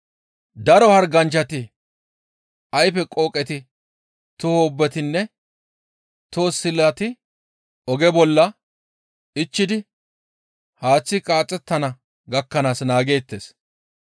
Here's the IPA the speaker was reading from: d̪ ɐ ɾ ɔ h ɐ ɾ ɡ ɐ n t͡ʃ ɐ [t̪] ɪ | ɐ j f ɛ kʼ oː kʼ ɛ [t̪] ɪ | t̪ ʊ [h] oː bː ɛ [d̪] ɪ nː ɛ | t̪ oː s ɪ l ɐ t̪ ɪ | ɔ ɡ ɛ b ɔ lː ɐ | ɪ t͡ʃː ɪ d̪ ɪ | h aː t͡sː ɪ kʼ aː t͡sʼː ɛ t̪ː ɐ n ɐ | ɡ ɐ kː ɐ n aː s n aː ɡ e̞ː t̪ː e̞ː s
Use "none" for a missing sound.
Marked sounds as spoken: t̪, t̪, h, t̪

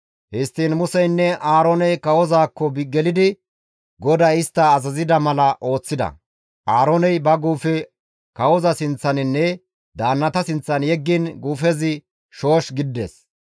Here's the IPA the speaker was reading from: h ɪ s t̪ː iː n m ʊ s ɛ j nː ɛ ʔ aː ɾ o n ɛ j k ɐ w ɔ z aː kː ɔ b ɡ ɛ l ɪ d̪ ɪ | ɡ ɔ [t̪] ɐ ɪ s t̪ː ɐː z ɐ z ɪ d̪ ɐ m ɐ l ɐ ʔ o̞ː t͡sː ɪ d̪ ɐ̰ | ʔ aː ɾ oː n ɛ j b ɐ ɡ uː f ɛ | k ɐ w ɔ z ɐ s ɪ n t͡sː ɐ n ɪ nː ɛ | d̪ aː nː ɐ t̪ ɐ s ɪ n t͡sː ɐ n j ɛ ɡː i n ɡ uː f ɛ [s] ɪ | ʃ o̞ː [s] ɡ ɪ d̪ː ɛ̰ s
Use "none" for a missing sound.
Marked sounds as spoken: d̪, z, ʃ

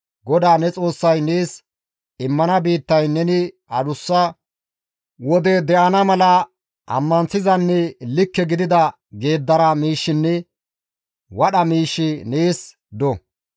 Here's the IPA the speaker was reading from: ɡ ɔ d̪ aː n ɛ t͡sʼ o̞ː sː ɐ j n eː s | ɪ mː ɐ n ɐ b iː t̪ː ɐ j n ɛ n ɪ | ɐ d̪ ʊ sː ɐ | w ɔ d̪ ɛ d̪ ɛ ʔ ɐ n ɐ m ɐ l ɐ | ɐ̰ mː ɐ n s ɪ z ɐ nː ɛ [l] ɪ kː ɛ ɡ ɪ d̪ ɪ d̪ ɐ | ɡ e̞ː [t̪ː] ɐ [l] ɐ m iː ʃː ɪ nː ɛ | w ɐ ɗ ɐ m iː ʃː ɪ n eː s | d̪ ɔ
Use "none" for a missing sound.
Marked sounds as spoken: l, d̪ː, ɾ

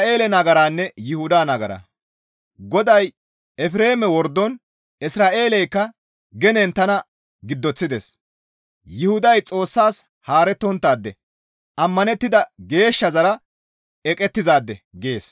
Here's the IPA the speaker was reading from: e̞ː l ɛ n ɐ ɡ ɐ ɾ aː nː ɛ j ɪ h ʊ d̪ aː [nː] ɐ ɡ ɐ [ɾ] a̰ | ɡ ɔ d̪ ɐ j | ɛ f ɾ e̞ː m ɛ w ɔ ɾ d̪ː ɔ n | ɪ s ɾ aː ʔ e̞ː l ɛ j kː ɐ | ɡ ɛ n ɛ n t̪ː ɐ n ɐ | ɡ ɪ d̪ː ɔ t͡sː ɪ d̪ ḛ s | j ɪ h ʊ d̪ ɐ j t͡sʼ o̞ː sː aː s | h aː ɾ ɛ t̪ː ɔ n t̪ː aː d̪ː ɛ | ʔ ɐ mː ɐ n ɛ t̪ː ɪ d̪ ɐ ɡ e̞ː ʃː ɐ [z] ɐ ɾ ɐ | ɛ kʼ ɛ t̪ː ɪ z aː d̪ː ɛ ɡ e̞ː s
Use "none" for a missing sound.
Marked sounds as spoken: n, ɾ, z

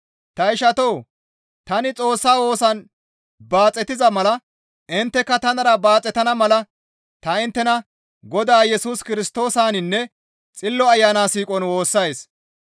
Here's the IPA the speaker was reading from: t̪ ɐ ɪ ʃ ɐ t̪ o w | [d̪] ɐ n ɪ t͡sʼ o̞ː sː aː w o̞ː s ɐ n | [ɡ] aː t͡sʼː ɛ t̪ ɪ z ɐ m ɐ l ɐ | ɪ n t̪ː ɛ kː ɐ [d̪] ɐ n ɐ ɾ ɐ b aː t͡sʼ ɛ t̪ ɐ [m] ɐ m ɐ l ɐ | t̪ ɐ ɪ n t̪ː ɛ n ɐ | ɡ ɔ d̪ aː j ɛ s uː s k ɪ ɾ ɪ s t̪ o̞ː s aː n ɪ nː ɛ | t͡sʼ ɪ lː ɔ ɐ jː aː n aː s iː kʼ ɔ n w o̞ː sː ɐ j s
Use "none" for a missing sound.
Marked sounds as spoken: t̪, b, t̪, n

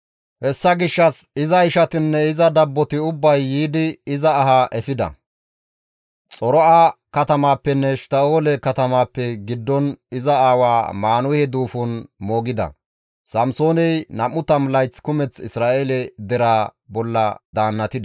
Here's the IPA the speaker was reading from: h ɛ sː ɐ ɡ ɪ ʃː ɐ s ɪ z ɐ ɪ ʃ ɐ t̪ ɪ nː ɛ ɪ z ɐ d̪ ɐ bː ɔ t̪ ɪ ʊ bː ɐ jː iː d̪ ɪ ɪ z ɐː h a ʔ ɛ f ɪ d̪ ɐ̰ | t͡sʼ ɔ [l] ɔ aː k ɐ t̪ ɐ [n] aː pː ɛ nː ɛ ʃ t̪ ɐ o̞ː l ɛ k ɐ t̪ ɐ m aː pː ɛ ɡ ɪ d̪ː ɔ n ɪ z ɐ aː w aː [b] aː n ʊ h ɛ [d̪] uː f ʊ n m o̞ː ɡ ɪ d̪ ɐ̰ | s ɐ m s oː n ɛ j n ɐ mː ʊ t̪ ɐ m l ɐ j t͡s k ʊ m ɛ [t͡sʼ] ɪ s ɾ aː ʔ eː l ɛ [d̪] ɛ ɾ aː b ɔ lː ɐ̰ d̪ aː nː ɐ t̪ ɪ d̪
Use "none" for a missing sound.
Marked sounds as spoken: ɾ, m, m, d̪, t͡s, d̪

